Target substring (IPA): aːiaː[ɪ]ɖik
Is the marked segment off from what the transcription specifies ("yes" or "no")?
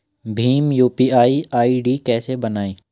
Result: yes